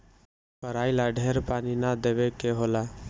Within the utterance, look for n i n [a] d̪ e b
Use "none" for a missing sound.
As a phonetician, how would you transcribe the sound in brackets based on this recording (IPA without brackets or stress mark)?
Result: a